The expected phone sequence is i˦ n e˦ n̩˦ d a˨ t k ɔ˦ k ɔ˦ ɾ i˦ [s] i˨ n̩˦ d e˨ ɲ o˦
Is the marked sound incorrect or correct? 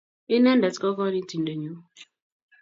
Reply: incorrect